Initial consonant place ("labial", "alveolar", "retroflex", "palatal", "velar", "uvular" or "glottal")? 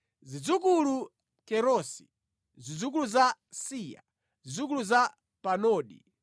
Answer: alveolar